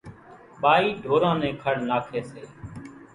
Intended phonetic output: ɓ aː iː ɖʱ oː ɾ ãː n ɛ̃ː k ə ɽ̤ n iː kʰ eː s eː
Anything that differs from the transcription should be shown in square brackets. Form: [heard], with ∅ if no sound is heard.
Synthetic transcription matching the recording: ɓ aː iː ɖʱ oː ɾ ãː n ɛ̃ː [kʰ] ə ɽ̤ n [aː] kʰ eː s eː